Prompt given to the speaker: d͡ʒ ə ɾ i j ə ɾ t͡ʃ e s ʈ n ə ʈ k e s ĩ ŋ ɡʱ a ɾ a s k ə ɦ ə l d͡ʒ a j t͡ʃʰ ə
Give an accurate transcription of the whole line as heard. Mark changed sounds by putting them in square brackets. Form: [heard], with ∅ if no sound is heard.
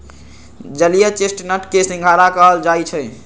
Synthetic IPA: d͡ʒ ə [l] i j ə [∅] t͡ʃ e s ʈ n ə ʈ k e s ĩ ŋ ɡʱ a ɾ a [∅] k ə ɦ ə l d͡ʒ a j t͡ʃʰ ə